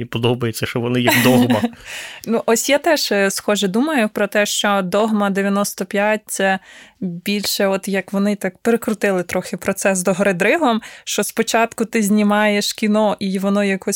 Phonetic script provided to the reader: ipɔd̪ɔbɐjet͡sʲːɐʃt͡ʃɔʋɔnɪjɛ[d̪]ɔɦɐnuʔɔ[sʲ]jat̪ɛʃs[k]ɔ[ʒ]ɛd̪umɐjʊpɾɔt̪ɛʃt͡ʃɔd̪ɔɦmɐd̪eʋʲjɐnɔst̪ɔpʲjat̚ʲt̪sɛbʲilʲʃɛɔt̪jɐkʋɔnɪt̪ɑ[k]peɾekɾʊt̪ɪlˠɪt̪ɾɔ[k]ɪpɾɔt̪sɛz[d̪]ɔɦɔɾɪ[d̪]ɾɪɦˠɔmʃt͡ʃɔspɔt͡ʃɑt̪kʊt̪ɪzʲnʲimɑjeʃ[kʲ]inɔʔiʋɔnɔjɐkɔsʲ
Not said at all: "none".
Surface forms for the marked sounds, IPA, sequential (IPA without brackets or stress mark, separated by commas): d̪, sʲ, x, ʒ, k, x, d̪, d̪, kʲ